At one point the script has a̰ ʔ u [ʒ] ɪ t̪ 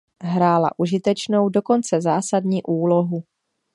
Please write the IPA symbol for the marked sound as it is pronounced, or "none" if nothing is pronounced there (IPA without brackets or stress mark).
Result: ʒ